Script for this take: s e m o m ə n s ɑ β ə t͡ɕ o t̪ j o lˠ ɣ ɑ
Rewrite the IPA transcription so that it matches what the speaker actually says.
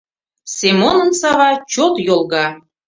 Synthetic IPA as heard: s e m o n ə n s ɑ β ɑ t͡ɕ o t̪ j o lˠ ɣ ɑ